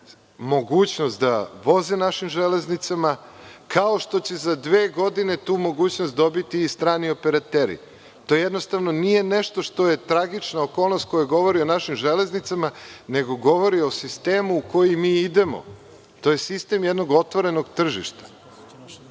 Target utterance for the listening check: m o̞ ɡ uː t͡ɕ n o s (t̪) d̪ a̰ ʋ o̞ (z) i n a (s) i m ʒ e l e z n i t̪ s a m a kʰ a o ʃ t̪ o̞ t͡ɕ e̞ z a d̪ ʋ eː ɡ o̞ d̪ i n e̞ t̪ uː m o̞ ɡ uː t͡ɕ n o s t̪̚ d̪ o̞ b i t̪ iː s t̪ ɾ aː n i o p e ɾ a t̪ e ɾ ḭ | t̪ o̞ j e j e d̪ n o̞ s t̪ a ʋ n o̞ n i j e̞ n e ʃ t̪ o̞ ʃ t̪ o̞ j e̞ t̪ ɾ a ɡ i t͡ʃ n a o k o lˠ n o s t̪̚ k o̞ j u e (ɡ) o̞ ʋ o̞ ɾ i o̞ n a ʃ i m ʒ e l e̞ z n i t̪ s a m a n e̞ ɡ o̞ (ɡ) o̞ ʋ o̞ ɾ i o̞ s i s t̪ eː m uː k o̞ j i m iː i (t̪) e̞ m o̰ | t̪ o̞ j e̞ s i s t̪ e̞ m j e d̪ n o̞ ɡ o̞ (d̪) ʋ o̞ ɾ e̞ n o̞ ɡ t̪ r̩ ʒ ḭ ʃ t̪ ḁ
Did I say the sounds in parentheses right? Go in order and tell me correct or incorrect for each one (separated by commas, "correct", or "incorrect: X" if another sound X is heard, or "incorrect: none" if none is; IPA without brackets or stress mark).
correct, correct, incorrect: ʃ, correct, correct, incorrect: d̪, incorrect: t̪